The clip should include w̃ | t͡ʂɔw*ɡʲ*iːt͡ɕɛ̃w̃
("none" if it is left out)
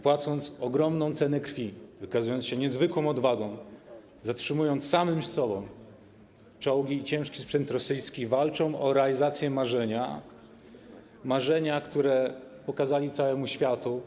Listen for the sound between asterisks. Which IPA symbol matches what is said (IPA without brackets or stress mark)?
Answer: ɡʲ